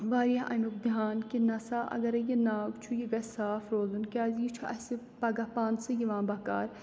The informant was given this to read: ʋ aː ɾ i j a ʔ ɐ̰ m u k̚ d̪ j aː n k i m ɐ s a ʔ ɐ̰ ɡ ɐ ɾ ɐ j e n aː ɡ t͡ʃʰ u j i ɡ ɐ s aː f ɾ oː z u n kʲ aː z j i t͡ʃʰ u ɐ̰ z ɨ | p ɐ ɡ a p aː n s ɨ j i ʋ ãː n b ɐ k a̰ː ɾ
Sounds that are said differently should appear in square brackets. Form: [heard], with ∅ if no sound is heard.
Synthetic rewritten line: ʋ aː ɾ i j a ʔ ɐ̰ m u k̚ d̪ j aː n k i [n] ɐ s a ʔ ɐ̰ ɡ ɐ ɾ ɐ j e n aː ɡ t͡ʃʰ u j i ɡ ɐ s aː f ɾ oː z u n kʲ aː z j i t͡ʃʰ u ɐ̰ [s] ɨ | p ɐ ɡ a p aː n s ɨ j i ʋ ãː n b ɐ k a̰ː ɾ